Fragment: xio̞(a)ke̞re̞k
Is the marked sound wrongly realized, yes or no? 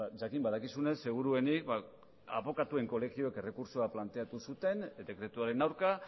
yes